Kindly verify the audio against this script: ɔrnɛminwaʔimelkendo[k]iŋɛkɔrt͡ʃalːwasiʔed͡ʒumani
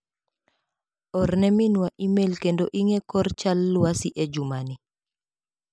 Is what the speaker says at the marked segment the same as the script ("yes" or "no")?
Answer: no